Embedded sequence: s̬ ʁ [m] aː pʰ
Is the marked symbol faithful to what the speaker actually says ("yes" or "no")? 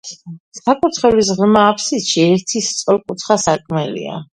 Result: yes